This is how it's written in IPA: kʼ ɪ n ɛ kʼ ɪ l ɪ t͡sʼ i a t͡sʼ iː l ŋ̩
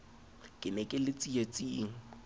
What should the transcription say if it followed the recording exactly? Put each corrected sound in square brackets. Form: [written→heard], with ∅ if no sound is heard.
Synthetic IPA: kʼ ɪ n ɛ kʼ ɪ l ɪ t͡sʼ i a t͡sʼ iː [l→∅] ŋ̩